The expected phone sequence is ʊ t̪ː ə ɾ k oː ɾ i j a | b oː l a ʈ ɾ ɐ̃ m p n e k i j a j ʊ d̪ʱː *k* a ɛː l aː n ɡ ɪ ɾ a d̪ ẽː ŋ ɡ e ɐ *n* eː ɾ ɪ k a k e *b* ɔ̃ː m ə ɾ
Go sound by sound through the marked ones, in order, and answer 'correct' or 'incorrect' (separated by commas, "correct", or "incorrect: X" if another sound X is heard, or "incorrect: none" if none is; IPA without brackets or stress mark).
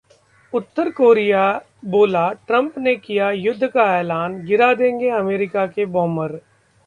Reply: correct, incorrect: m, correct